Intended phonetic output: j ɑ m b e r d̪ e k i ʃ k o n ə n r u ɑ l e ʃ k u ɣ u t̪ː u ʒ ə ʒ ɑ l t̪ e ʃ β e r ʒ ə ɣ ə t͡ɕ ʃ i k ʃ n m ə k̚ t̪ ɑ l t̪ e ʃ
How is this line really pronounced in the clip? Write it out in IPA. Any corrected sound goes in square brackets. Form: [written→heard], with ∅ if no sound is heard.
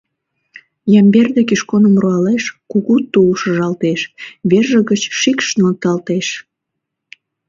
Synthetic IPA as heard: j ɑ m b e r d̪ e k i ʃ k o n ə [n→m] r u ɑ l e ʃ k u ɣ u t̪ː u [ʒ→ʃ] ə ʒ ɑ l t̪ e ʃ β e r ʒ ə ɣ ə t͡ɕ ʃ i k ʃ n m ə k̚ t̪ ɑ l t̪ e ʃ